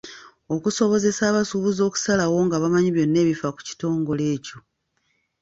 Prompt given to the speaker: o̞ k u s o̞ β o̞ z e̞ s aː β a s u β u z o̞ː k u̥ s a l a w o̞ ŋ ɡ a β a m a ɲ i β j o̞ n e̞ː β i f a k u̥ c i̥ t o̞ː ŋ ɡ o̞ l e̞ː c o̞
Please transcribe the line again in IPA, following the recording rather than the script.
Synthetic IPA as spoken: o̞ k u s o̞ β o̞ z e̞ s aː β a s u β u z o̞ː k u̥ s a l a w o̞ ŋ ɡ a β a m a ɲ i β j o̞ nː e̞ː β i f a k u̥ c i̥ t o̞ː ŋ ɡ o̞ l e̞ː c o̞